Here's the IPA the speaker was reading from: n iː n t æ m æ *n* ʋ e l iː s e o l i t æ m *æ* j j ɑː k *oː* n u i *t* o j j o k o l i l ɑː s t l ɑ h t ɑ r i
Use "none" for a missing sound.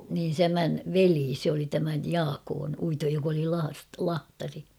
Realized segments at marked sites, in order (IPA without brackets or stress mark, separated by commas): n, æ, oː, t